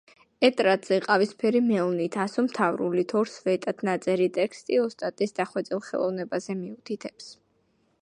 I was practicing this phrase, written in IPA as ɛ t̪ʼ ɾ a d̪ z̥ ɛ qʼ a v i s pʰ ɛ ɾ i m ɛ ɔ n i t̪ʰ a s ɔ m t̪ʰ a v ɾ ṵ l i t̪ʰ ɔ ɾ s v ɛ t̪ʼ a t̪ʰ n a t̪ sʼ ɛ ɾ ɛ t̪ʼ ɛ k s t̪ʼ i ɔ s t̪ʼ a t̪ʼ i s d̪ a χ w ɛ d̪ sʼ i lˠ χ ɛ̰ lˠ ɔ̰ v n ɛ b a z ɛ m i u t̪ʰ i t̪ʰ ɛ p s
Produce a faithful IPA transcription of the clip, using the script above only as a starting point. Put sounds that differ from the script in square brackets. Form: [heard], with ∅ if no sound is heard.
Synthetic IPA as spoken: ɛ t̪ʼ ɾ a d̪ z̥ ɛ qʼ a v i s pʰ ɛ ɾ i m ɛ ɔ n i t̪ʰ a s ɔ m t̪ʰ a v ɾ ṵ l i t̪ʰ ɔ ɾ s v ɛ t̪ʼ a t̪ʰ n a t̪ sʼ ɛ ɾ [i] t̪ʼ ɛ k s t̪ʼ i ɔ s t̪ʼ a t̪ʼ i s d̪ a χ w ɛ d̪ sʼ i lˠ χ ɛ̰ lˠ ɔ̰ v n ɛ b a z ɛ m i u t̪ʰ i t̪ʰ ɛ p s

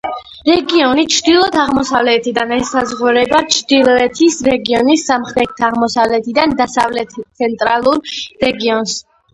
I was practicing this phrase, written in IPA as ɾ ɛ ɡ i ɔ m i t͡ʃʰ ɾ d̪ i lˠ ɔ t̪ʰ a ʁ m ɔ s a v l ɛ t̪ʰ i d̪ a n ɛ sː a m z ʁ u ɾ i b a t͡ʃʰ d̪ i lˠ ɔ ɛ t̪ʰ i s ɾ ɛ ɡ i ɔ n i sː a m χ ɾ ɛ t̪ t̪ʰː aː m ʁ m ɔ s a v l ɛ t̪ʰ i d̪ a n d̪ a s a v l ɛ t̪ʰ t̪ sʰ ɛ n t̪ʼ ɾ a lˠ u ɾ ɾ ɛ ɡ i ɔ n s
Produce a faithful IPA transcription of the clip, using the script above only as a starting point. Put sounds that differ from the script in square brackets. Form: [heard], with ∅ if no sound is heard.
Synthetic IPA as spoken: ɾ ɛ ɡ i ɔ [n] i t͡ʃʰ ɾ d̪ i lˠ ɔ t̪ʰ a ʁ m ɔ s a v l ɛ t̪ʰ i d̪ a n ɛ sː a [∅] z ʁ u ɾ [ɛ] b a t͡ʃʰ d̪ i lˠ ɔ ɛ t̪ʰ i s ɾ ɛ ɡ i ɔ n i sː a m χ ɾ ɛ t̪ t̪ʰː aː [∅] ʁ m ɔ s a v l ɛ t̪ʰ i d̪ a n d̪ a s a v l ɛ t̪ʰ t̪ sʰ ɛ n t̪ʼ ɾ a lˠ u ɾ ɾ ɛ ɡ i ɔ n s

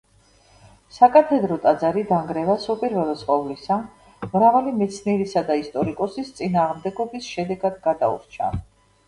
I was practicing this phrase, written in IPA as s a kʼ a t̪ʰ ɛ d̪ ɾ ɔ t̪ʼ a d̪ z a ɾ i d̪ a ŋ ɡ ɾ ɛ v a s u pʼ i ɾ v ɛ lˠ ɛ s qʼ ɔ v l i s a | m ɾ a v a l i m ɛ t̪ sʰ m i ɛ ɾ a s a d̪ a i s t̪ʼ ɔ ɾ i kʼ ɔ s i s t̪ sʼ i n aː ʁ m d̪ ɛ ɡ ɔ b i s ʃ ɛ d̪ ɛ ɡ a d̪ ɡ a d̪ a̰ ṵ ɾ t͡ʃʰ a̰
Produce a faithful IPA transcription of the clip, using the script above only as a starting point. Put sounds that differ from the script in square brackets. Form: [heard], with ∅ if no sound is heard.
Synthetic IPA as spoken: s a kʼ a t̪ʰ ɛ d̪ ɾ ɔ t̪ʼ a d̪ z a ɾ i d̪ a ŋ ɡ ɾ ɛ v a s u pʼ i ɾ v ɛ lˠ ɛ s qʼ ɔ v l i s a | m ɾ a v a l i m ɛ t̪ sʰ [n] i ɛ ɾ [i] s a d̪ a i s t̪ʼ ɔ ɾ i kʼ ɔ s i s t̪ sʼ i n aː ʁ m d̪ ɛ ɡ ɔ b i s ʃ ɛ d̪ ɛ ɡ a d̪ ɡ a d̪ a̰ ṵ ɾ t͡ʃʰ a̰

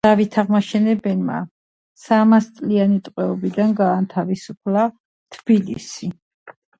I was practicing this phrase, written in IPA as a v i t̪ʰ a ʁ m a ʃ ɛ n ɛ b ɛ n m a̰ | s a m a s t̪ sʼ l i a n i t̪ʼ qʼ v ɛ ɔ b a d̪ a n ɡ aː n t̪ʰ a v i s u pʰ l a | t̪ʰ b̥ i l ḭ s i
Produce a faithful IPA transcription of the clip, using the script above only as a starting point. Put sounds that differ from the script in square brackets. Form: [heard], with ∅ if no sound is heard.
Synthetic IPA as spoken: a v i t̪ʰ a ʁ m a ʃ ɛ n ɛ b ɛ n m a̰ | s a m a s t̪ sʼ l i a n i t̪ʼ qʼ [w] ɛ ɔ b [i] d̪ a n ɡ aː n t̪ʰ a v i s u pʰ l a | t̪ʰ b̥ i l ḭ s i

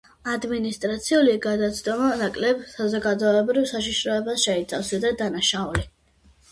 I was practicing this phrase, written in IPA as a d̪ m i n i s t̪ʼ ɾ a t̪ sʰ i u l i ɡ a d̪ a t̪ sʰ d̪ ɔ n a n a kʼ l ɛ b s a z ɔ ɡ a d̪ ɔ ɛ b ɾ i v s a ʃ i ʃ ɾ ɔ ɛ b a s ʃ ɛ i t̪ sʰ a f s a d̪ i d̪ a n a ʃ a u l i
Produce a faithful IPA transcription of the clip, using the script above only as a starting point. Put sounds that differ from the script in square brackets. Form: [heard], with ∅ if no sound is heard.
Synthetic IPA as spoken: a d̪ m i n i s t̪ʼ ɾ a t̪ sʰ i u l i ɡ a d̪ a t̪ sʰ d̪ ɔ [m] a n a kʼ l ɛ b s a z ɔ ɡ a d̪ ɔ ɛ b ɾ i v s a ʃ i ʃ ɾ ɔ ɛ b a s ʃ ɛ i t̪ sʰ a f s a d̪ [a] d̪ a n a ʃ a u l i

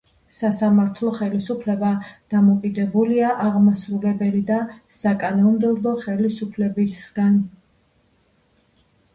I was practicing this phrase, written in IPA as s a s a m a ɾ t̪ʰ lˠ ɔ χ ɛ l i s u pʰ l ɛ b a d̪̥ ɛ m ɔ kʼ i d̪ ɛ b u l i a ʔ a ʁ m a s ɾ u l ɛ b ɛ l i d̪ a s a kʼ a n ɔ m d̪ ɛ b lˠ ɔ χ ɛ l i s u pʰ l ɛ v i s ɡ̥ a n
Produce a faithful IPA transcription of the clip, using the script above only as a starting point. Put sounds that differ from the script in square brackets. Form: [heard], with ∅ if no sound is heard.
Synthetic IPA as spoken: s a s a m a ɾ t̪ʰ lˠ ɔ χ ɛ l i s u pʰ l ɛ b a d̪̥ [a] m ɔ kʼ i d̪ ɛ b u l i a ʔ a ʁ m a s ɾ u l ɛ b ɛ l i d̪ a s a kʼ a n ɔ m d̪ ɛ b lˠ ɔ χ ɛ l i s u pʰ l ɛ [b] i s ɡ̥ a n

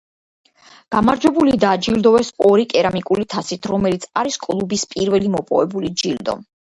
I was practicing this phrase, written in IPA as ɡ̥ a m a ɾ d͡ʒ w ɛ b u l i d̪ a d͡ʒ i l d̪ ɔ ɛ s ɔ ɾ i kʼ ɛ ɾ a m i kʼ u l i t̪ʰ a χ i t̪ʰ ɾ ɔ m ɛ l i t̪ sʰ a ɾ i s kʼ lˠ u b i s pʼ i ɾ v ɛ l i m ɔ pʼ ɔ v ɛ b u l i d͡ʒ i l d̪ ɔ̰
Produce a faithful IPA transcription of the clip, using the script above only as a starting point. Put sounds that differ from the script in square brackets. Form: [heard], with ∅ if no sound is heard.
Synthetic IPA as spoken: ɡ̥ a m a ɾ d͡ʒ w ɛ b u l i d̪ a d͡ʒ i l d̪ ɔ ɛ s ɔ ɾ i kʼ ɛ ɾ a m i kʼ u l i t̪ʰ a [s] i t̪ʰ ɾ ɔ m ɛ l i t̪ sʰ a ɾ i s kʼ lˠ u b i s pʼ i ɾ v ɛ l i m ɔ pʼ ɔ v ɛ b u l i d͡ʒ i l d̪ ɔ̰

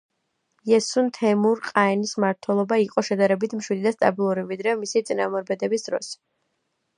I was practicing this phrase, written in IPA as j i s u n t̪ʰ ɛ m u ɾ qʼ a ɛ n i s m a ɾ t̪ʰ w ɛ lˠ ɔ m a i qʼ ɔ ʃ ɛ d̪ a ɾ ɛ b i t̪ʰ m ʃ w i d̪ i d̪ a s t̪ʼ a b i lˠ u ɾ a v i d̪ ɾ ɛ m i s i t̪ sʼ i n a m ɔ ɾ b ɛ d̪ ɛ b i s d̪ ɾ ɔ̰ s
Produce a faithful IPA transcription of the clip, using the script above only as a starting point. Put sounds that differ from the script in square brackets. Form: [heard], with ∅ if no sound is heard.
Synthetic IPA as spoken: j [ɛ] s u n t̪ʰ ɛ m u ɾ qʼ a ɛ n i s m a ɾ t̪ʰ w ɛ lˠ ɔ [b] a i qʼ ɔ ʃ ɛ d̪ a ɾ ɛ b i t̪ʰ m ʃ w i d̪ i d̪ a s t̪ʼ a b i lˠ u ɾ [i] v i d̪ ɾ ɛ m i s i t̪ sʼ i n a m ɔ ɾ b ɛ d̪ ɛ b i s d̪ ɾ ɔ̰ s

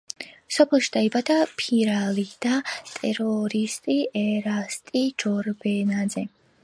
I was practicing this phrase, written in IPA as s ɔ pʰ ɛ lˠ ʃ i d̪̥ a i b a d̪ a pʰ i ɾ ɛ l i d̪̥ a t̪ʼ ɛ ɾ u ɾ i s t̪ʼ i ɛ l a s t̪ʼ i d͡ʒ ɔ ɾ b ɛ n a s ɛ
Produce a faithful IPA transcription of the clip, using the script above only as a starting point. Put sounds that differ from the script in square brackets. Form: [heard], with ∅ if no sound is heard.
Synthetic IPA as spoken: s ɔ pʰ ɛ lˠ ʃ i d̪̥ a i b a d̪ a pʰ i ɾ [a] l i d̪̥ a t̪ʼ ɛ ɾ [ɔ] ɾ i s t̪ʼ i ɛ [ɾ] a s t̪ʼ i d͡ʒ ɔ ɾ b ɛ n a [z] ɛ

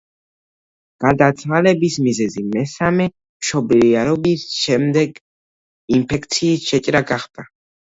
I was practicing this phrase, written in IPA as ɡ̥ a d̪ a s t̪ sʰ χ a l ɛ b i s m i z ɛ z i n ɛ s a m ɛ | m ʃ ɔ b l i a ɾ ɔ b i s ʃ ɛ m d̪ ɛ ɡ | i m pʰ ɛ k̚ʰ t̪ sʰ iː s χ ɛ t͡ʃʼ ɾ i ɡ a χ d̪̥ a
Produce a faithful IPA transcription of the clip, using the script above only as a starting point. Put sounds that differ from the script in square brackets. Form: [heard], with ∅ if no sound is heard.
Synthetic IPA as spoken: ɡ̥ a d̪ a [∅] t̪ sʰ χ a l ɛ b i s m i z ɛ z i [m] ɛ s a m ɛ | m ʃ ɔ b l i a ɾ ɔ b i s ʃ ɛ m d̪ ɛ ɡ | i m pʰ ɛ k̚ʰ t̪ sʰ iː s [ʃ] ɛ t͡ʃʼ ɾ [a] ɡ a χ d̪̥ a

